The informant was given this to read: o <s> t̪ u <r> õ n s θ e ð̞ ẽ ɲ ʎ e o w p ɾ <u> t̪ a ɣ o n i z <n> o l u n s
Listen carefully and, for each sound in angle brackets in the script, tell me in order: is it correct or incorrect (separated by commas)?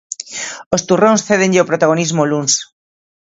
correct, correct, incorrect, incorrect